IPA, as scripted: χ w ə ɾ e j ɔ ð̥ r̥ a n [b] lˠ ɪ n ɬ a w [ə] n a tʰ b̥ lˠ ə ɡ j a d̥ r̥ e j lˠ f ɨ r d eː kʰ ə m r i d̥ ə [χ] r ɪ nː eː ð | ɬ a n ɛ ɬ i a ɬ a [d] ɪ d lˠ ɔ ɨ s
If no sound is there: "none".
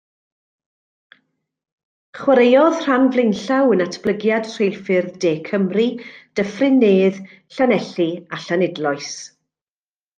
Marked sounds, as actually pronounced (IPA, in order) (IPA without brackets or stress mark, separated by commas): v, ə, f, n